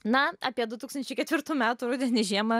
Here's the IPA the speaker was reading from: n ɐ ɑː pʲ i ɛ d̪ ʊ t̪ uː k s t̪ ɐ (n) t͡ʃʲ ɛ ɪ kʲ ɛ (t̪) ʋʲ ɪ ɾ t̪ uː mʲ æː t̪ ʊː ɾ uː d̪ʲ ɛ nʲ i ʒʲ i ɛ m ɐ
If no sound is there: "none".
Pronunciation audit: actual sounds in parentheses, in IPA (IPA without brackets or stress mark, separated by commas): n, t̪